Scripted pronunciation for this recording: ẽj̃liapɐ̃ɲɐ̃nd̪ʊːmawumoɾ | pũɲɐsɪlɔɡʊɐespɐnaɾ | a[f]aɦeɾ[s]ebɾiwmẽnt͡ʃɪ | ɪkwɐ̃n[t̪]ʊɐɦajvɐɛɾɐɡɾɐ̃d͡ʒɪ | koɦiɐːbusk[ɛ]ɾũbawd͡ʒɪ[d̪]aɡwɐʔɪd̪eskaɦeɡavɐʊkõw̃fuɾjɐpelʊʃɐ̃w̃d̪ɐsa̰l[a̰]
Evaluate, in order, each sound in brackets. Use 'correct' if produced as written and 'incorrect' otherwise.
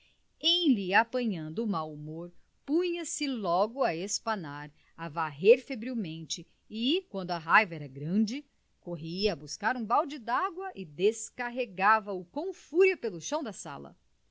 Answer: incorrect: v, incorrect: f, incorrect: d̪, incorrect: a, correct, incorrect: ɐ̰

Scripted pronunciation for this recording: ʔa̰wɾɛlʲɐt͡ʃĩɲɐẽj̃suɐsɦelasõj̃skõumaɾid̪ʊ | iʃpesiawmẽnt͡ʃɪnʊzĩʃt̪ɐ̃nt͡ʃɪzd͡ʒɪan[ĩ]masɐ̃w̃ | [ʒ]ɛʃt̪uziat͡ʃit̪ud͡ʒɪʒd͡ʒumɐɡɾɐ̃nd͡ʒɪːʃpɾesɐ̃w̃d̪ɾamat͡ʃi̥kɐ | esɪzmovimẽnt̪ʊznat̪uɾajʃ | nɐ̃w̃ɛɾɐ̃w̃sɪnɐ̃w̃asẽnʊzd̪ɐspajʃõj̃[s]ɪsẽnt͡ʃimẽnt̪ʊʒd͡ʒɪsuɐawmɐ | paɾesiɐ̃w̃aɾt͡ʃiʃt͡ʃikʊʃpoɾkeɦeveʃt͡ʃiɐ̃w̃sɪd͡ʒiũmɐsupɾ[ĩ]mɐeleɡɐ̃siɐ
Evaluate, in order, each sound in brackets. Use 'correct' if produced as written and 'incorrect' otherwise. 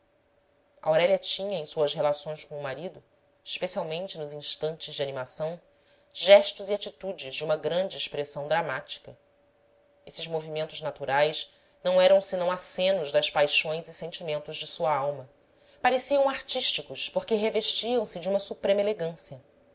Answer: incorrect: i, correct, incorrect: z, incorrect: ẽ

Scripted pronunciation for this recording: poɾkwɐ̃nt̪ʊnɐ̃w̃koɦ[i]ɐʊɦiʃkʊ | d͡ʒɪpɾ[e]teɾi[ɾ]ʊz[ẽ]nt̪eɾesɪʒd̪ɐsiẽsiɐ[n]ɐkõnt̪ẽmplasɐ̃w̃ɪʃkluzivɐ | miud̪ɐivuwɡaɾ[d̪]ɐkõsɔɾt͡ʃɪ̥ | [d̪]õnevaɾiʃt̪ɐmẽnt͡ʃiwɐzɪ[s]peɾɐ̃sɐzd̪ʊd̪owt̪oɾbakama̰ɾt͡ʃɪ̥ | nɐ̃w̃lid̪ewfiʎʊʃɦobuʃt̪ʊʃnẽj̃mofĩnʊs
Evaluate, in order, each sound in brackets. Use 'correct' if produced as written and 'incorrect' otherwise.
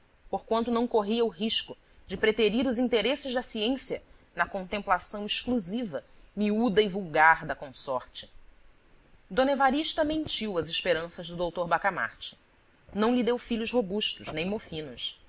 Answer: correct, correct, correct, incorrect: ĩ, correct, correct, correct, incorrect: ʃ

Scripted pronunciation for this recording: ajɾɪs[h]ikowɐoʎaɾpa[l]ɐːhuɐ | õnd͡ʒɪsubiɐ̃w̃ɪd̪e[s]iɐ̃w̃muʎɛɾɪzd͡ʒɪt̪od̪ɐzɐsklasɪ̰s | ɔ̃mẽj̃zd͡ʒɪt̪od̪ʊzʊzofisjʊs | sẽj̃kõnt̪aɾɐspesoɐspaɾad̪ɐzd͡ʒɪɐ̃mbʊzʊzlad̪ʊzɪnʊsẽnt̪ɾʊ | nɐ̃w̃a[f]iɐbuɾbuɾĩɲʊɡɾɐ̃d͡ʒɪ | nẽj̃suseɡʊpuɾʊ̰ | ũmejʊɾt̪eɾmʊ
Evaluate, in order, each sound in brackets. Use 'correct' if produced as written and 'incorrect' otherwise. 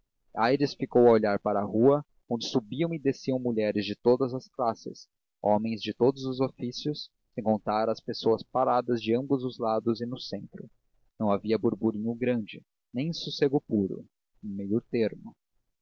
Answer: incorrect: f, incorrect: ɾ, correct, incorrect: v

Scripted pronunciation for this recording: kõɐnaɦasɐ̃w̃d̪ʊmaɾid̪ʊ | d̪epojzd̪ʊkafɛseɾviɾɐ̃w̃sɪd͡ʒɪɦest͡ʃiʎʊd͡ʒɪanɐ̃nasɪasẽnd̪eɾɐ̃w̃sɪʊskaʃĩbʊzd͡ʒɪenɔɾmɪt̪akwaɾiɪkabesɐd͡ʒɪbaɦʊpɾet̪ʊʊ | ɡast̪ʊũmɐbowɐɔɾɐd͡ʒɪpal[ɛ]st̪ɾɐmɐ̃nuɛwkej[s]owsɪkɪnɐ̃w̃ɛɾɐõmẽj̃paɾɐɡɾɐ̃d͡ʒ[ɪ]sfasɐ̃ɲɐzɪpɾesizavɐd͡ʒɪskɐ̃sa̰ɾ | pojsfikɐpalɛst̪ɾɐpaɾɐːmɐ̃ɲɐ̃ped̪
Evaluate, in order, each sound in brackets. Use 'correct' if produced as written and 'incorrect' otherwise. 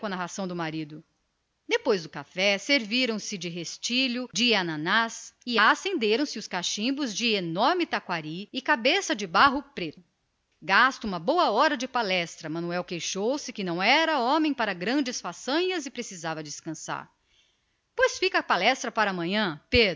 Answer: correct, incorrect: ʃ, correct

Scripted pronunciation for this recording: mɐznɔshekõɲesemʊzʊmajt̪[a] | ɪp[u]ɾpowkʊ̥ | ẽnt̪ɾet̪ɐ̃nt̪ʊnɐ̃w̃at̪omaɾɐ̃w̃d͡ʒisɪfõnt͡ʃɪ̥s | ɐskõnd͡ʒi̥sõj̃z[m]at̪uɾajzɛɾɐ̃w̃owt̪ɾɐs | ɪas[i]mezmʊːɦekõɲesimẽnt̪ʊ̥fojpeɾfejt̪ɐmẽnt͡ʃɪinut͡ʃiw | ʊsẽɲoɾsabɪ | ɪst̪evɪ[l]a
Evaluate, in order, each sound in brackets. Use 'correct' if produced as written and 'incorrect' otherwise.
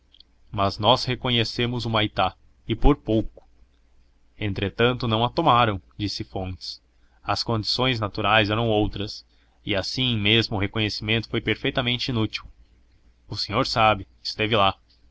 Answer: correct, incorrect: o, incorrect: n, incorrect: ĩ, correct

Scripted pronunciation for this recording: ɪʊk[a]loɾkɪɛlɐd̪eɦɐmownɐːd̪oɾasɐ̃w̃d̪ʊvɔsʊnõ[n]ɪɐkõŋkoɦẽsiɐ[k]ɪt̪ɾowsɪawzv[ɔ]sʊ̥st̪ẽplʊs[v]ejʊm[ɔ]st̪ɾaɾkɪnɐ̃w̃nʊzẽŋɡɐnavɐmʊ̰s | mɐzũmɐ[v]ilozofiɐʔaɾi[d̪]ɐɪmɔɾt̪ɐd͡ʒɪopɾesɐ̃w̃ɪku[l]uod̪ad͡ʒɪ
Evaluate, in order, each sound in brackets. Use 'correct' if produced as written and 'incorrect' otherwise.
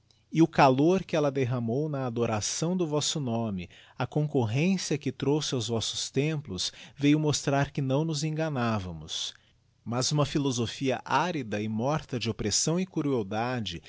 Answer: correct, incorrect: m, correct, correct, correct, incorrect: o, incorrect: f, correct, incorrect: ɾ

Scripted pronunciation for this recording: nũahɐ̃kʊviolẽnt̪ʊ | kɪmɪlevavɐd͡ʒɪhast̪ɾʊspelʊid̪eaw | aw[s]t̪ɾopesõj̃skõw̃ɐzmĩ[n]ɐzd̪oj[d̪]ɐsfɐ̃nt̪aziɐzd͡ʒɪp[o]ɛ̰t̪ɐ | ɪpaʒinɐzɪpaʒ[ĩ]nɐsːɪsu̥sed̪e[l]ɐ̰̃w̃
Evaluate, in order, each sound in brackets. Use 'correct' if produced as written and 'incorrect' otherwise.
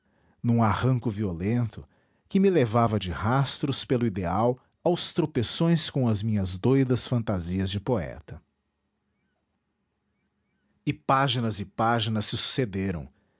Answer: correct, incorrect: ɲ, correct, correct, incorrect: i, incorrect: ɾ

